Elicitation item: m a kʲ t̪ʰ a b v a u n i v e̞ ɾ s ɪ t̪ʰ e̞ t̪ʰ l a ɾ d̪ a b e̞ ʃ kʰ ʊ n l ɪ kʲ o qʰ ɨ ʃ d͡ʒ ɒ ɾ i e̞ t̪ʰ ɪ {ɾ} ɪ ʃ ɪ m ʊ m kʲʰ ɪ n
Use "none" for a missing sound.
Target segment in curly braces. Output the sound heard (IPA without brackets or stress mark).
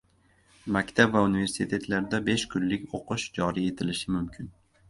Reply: l